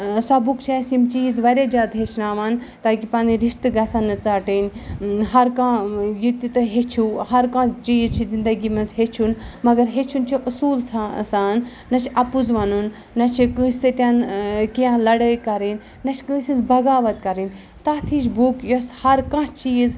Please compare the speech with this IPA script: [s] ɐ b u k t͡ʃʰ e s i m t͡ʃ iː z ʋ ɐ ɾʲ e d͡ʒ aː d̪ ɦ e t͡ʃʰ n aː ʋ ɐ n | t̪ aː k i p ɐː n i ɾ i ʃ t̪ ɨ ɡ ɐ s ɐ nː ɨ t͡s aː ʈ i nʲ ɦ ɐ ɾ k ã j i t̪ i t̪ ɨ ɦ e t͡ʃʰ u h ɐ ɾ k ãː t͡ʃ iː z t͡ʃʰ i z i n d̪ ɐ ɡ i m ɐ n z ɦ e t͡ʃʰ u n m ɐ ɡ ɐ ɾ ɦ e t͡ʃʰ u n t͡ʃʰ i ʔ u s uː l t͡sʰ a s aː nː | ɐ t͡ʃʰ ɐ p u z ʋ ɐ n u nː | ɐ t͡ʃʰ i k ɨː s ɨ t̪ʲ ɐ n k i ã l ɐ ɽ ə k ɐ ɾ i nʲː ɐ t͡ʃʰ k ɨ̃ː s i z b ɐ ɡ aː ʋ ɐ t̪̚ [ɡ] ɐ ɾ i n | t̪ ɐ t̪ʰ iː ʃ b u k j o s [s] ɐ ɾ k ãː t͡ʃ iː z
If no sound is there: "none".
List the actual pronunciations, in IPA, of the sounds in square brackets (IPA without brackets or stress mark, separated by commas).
s, k, h